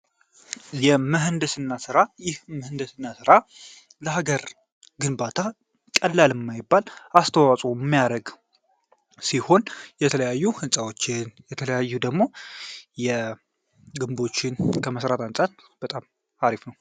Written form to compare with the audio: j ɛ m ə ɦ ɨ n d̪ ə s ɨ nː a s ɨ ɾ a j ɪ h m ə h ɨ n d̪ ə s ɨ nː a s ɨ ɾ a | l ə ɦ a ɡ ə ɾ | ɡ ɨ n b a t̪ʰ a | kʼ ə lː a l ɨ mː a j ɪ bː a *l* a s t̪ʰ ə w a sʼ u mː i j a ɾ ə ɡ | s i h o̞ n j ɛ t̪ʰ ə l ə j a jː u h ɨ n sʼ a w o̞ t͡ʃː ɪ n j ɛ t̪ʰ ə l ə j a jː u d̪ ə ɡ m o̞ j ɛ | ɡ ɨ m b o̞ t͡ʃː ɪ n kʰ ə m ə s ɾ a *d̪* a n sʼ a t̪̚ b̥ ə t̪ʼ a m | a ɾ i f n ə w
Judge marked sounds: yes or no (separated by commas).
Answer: yes, no